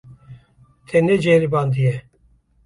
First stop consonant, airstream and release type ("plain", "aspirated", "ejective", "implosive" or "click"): aspirated